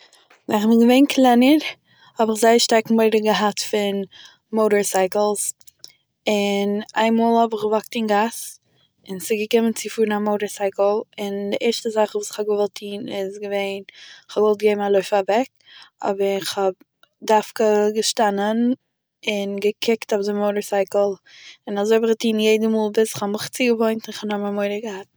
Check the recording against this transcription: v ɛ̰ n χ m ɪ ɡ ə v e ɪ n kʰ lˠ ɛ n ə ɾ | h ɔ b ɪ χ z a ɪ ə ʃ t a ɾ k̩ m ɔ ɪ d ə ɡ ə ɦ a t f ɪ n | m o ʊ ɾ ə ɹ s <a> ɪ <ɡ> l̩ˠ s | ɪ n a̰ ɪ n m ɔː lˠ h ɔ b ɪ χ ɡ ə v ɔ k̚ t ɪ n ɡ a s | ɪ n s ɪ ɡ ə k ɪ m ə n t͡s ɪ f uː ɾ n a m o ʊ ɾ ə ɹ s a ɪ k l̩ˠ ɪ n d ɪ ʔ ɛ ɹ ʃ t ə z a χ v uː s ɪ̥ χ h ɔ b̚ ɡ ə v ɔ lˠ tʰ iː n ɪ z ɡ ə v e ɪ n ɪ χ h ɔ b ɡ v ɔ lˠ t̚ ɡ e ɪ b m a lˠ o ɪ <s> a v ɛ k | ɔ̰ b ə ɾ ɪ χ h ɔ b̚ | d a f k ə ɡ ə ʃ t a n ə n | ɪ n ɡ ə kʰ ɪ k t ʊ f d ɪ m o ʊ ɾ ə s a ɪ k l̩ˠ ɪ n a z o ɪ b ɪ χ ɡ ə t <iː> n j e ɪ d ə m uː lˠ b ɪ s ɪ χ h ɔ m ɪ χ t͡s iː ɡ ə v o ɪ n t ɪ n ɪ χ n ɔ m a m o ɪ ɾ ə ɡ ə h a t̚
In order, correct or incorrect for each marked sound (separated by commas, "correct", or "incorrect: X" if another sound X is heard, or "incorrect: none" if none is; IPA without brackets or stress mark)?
correct, incorrect: k, incorrect: f, correct